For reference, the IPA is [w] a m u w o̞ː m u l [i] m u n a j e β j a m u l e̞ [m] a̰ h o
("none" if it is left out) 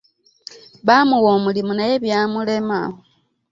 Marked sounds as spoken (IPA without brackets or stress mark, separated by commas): β, i, m